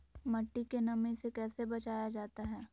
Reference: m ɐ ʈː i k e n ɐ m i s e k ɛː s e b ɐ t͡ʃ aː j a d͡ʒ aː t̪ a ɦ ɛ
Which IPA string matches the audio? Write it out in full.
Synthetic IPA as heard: m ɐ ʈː i k e n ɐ m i s e k ɛː s e b ɐ t͡ʃ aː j a d͡ʒ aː t̪ a ɦ ɛː